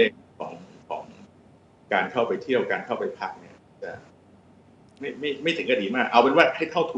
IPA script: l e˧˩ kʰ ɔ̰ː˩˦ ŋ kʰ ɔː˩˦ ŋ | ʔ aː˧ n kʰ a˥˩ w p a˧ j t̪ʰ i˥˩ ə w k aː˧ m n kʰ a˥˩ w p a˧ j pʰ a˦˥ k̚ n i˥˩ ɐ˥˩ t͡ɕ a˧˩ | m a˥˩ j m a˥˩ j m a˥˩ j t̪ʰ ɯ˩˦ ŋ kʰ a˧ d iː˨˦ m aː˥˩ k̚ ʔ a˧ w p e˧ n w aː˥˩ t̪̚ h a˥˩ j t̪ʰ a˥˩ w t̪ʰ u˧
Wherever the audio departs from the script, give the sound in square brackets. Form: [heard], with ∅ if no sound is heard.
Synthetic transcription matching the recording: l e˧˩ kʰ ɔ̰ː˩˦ ŋ kʰ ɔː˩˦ ŋ | [k] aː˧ n kʰ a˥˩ w p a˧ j t̪ʰ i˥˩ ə w k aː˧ [∅] n kʰ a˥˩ w p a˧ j pʰ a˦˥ k̚ n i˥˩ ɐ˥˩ t͡ɕ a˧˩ | m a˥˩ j m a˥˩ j m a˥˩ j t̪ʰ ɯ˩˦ ŋ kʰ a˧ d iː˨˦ m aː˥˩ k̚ ʔ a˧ w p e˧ n w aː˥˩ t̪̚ h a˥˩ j t̪ʰ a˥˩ w t̪ʰ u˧